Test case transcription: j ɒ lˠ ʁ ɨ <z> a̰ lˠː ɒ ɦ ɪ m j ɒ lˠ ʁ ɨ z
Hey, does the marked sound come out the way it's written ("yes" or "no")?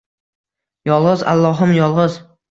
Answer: yes